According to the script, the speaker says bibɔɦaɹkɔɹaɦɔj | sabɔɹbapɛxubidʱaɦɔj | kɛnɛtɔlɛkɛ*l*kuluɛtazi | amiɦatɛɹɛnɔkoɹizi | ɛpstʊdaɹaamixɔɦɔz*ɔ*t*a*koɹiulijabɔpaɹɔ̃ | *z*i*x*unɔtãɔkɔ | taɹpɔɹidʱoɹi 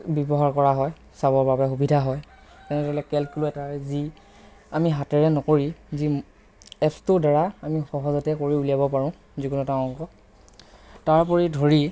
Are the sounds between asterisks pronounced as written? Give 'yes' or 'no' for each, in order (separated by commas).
yes, yes, no, yes, no